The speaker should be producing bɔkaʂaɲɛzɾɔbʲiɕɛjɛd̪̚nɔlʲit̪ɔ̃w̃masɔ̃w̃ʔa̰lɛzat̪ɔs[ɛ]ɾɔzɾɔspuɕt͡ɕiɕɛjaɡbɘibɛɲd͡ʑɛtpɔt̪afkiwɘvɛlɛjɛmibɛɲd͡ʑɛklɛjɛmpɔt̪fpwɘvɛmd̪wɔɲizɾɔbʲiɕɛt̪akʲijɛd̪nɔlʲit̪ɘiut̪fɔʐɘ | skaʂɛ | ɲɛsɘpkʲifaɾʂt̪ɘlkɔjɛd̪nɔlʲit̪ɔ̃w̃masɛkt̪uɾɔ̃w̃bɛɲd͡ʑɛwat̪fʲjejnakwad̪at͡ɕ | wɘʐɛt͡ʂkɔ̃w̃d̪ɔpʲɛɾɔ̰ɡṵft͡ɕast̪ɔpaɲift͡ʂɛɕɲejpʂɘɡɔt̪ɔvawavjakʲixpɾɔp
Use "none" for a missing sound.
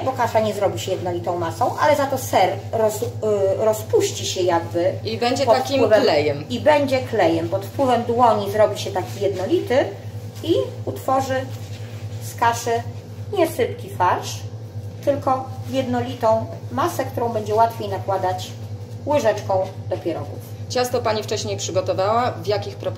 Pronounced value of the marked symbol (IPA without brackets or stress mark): ɛ